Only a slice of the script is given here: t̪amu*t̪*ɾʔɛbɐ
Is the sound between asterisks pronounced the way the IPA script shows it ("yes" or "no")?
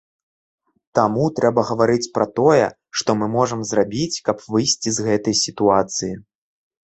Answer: yes